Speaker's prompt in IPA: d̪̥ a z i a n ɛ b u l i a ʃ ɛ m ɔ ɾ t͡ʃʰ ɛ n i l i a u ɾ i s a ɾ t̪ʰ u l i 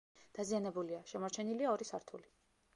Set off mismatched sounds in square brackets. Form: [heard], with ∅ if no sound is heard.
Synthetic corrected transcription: d̪̥ a z i a n ɛ b u l i a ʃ ɛ m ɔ ɾ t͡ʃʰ ɛ n i l i a [ɔ] ɾ i s a ɾ t̪ʰ u l i